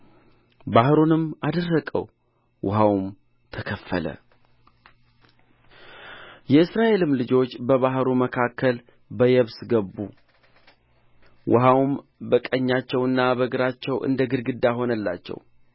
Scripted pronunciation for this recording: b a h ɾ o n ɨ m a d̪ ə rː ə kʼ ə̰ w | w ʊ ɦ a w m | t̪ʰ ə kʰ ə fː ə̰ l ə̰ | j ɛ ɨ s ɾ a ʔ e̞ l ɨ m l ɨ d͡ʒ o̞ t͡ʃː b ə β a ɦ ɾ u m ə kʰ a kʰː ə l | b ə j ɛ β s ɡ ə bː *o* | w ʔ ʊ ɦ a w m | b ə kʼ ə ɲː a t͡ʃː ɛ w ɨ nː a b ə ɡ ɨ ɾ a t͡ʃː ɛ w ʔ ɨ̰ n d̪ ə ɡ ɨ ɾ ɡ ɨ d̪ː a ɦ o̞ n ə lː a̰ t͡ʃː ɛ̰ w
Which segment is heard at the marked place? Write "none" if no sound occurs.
u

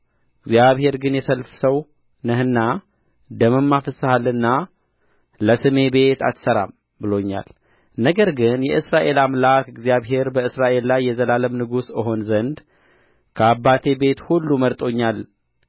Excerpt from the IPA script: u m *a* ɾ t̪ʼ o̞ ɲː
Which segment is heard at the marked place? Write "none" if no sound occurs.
ə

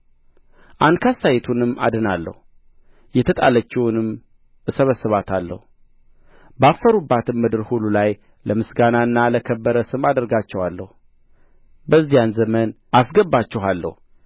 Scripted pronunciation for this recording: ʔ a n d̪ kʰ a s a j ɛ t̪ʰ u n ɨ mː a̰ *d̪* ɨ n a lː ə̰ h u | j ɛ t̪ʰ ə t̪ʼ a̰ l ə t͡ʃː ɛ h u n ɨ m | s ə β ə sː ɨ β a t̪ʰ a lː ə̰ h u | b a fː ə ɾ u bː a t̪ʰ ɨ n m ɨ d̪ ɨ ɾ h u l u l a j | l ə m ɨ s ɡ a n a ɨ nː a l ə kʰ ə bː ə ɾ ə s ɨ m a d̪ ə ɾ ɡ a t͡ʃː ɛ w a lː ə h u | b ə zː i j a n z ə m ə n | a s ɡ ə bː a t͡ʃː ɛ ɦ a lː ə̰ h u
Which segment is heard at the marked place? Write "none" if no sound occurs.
d̪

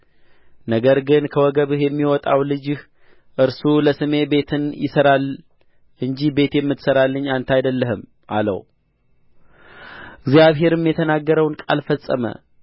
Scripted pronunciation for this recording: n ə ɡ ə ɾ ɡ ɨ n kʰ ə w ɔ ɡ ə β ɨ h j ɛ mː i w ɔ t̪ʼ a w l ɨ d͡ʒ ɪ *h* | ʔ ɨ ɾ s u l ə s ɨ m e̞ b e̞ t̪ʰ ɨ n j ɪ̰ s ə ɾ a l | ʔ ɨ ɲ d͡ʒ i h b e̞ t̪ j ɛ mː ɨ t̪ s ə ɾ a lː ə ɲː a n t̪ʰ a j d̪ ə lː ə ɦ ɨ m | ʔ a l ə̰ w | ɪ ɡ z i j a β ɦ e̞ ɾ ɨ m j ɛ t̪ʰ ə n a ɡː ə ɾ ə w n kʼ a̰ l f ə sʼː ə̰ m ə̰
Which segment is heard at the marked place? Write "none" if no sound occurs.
h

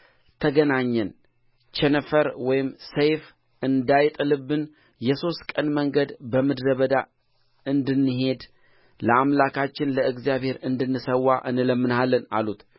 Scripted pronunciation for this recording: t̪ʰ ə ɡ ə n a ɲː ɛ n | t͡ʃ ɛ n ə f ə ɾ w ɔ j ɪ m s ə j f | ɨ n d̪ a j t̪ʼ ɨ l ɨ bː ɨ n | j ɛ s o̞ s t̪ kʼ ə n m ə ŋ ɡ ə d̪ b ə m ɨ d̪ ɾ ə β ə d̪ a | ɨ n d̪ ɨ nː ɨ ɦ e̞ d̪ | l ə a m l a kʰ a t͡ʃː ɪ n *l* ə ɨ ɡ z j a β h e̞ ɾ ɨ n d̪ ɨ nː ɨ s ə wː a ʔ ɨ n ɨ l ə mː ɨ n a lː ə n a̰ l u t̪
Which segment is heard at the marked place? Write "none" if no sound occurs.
l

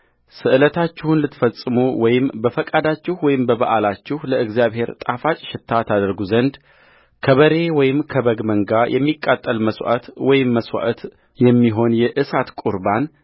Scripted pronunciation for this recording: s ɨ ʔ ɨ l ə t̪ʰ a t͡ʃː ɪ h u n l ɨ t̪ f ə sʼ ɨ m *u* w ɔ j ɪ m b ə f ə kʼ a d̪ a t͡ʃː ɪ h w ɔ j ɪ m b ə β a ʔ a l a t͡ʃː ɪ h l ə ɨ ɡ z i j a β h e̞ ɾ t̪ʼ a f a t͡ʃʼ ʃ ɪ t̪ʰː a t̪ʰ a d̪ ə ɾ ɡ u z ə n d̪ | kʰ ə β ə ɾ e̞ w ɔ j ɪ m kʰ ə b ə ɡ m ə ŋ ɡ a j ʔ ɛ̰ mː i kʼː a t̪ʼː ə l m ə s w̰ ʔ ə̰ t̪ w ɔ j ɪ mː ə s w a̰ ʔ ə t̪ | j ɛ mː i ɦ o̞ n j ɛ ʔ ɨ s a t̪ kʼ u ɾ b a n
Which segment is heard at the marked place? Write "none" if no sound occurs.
u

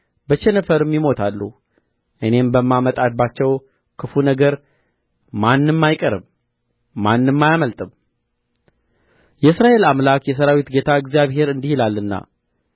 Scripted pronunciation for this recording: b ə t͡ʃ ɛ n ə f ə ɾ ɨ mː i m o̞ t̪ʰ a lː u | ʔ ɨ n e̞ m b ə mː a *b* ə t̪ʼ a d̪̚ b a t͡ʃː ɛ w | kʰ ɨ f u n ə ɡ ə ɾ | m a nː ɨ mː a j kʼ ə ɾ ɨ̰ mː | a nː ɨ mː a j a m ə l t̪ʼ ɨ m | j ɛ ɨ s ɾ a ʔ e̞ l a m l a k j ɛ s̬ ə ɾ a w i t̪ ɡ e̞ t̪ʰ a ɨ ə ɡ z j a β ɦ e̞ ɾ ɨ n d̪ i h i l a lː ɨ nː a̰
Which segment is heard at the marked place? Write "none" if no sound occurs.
m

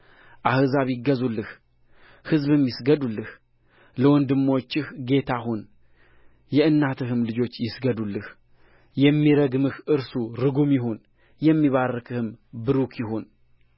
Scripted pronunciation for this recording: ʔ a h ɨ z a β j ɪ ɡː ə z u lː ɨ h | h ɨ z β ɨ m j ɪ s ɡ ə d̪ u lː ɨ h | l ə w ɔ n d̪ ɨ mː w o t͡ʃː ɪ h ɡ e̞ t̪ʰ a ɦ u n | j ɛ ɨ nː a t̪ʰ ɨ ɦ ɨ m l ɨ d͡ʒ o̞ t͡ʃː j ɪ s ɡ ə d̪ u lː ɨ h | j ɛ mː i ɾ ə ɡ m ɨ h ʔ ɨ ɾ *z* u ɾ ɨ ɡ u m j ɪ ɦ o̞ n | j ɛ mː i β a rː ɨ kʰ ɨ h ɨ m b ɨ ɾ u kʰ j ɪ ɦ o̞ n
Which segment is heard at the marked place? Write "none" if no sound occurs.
s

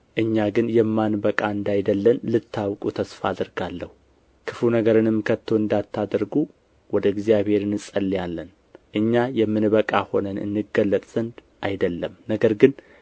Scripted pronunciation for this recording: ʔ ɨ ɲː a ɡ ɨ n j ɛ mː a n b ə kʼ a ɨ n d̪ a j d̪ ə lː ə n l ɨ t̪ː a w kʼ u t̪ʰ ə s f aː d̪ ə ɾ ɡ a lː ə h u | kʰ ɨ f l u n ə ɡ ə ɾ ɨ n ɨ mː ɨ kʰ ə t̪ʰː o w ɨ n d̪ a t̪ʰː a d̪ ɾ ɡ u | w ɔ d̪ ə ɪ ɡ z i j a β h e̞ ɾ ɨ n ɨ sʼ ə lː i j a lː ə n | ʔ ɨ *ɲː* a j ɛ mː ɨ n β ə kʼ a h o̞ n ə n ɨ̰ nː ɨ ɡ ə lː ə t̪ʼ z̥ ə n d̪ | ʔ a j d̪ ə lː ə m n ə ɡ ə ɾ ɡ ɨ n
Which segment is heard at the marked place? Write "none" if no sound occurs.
ɲː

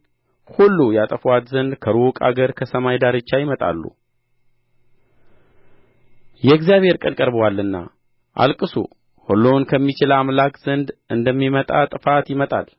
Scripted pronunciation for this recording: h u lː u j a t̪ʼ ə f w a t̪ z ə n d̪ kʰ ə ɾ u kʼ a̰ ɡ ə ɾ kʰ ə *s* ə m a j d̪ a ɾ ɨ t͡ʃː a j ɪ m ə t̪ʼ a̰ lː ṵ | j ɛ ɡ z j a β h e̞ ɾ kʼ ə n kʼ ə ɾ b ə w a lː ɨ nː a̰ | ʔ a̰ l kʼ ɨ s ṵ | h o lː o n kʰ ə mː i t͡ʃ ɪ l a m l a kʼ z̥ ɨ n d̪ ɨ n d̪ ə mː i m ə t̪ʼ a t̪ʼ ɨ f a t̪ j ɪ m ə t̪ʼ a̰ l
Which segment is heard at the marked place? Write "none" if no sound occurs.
s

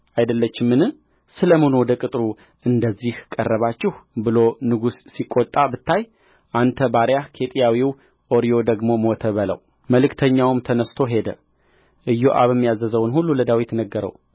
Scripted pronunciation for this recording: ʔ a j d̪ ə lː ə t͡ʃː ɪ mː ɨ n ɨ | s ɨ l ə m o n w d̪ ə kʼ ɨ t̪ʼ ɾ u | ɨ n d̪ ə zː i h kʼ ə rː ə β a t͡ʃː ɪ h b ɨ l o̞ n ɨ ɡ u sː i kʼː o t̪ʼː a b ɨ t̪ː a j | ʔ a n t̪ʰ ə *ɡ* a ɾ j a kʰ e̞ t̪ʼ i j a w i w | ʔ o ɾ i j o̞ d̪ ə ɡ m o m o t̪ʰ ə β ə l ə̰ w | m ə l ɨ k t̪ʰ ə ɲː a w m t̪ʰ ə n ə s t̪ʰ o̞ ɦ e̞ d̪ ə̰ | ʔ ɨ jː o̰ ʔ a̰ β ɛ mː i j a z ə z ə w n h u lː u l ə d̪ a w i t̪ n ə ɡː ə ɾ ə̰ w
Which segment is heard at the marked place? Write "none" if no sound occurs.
b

